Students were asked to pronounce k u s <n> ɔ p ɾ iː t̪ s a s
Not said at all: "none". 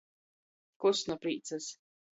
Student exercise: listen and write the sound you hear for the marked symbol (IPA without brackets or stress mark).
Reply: n